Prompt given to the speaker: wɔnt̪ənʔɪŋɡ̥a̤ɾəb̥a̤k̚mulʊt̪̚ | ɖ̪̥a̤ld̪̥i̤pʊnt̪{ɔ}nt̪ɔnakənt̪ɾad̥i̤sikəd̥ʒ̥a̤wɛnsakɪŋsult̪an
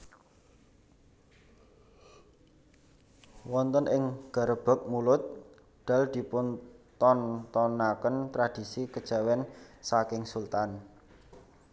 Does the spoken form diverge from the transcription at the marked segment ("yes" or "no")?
no